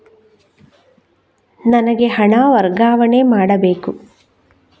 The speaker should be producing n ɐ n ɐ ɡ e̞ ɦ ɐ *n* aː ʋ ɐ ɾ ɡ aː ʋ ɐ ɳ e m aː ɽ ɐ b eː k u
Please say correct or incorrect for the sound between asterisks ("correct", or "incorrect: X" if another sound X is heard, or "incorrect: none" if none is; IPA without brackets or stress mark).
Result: incorrect: ɳ